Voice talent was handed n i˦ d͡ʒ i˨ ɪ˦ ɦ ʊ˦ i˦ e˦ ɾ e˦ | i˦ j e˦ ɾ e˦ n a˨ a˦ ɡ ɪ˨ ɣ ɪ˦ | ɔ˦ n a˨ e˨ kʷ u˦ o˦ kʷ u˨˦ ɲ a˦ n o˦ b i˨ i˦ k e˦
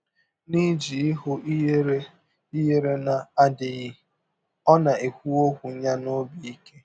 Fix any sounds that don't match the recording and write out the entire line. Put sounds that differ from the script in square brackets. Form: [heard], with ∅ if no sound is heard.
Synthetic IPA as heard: n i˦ d͡ʒ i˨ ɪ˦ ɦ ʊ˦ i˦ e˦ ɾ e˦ | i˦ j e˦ ɾ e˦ n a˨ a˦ [d] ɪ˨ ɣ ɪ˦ | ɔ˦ n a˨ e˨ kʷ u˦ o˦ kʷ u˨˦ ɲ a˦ n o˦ b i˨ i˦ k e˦